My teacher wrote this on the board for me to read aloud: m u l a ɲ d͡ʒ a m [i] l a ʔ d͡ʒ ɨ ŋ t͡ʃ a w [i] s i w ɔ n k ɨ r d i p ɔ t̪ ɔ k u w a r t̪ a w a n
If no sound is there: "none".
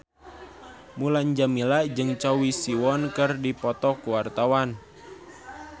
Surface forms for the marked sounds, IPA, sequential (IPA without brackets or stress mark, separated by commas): i, i